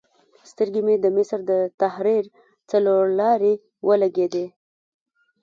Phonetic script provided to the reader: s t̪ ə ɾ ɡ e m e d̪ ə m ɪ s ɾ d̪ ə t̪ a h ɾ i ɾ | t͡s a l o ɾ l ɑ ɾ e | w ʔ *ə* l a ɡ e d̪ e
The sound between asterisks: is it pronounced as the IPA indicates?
yes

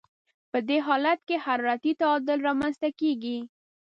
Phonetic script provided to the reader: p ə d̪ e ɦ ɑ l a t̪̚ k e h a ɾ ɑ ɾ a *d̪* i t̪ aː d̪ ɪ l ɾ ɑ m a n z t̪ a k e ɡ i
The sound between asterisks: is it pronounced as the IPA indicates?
no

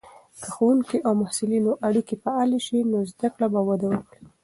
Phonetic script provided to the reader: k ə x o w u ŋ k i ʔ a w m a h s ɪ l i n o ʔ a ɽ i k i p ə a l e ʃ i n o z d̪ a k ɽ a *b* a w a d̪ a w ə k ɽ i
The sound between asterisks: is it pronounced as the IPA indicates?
yes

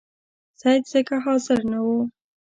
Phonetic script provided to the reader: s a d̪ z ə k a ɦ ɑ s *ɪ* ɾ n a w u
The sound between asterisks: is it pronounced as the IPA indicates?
yes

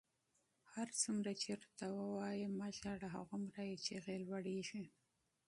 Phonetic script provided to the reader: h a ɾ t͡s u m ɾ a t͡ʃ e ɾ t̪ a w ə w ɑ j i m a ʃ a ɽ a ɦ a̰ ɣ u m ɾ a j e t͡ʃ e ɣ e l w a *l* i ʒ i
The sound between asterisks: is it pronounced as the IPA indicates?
no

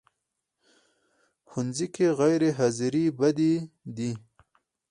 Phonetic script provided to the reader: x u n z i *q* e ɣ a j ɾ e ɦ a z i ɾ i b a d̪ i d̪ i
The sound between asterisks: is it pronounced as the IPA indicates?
no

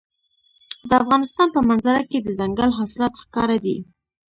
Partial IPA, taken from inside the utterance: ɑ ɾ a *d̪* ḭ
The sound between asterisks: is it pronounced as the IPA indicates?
yes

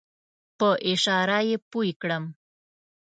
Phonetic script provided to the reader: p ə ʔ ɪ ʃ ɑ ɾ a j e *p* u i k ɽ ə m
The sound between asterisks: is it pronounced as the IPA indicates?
yes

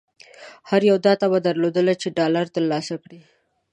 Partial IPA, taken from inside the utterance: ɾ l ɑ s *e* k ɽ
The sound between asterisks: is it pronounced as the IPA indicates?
no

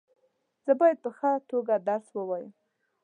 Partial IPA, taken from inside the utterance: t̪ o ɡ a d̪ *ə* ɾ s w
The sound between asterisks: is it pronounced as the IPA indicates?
no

